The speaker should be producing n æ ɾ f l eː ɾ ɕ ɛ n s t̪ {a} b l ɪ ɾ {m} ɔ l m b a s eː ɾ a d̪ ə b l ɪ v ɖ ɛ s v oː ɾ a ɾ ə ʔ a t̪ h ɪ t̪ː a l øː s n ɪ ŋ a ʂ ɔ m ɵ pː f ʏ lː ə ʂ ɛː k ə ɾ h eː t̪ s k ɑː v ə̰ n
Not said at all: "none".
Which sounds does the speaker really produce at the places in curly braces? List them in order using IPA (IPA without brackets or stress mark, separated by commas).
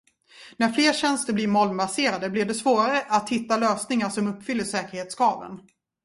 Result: ə, m